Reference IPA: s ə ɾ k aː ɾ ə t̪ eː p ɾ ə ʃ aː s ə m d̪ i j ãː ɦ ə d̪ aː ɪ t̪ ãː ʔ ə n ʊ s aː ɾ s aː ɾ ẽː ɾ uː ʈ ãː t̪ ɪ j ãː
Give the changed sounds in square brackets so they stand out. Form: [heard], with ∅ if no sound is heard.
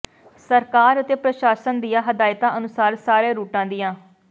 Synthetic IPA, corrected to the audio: s ə ɾ k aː ɾ ə t̪ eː p ɾ ə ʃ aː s ə [n] d̪ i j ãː ɦ ə d̪ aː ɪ t̪ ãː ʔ ə n ʊ s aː ɾ s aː ɾ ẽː ɾ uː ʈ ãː [d̪] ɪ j ãː